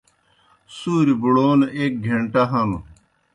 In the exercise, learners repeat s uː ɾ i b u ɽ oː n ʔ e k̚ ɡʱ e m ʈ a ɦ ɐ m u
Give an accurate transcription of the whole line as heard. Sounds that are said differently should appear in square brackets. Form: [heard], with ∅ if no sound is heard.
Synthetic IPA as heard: s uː ɾ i b u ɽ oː n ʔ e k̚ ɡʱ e [ɳ] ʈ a ɦ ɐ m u